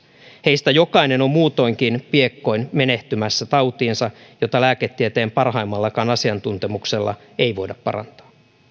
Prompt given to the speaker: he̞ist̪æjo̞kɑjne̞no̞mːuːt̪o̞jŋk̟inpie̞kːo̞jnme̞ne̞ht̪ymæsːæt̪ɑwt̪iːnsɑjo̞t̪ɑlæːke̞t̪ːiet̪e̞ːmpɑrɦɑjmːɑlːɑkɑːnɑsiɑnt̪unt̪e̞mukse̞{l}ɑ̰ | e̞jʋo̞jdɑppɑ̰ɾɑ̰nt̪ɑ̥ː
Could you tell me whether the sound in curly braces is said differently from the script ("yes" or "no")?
yes